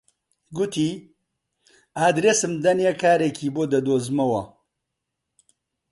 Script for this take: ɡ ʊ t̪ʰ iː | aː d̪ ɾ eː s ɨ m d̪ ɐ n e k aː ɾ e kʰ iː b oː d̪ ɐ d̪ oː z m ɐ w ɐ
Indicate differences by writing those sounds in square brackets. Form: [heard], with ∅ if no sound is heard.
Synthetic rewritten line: ɡ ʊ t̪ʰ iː | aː d̪ ɾ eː s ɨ m d̪ ɐ n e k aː ɾ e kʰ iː b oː d̪ ɐ d̪ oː z m ɐ w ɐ